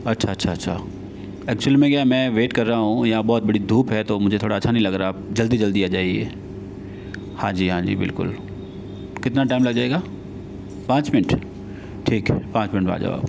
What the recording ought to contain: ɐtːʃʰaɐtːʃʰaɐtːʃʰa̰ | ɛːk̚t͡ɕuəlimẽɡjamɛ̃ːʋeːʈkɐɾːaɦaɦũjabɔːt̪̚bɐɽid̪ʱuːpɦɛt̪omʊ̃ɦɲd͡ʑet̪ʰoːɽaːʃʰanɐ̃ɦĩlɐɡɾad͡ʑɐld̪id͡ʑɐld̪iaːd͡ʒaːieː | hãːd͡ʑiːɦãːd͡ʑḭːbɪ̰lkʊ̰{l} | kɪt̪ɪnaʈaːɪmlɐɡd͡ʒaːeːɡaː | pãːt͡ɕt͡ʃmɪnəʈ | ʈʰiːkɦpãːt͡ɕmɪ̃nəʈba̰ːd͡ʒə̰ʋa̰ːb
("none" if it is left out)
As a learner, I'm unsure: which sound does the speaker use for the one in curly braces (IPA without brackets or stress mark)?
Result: l